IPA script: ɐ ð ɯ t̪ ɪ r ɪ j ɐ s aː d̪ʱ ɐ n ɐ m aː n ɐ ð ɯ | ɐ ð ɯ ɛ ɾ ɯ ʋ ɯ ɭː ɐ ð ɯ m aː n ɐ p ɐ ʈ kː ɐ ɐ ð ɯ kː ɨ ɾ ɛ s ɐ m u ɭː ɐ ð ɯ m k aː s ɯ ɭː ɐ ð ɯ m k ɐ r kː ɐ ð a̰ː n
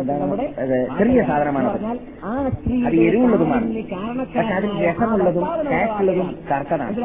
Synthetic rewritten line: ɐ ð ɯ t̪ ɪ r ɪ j ɐ s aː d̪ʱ ɐ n ɐ m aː n ɐ ð ɯ | ɐ ð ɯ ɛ ɾ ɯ ʋ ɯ ɭː ɐ ð ɯ m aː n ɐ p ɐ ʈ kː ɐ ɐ ð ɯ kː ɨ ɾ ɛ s ɐ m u ɭː ɐ ð ɯ m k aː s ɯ ɭː ɐ ð ɯ m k ɐ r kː ɐ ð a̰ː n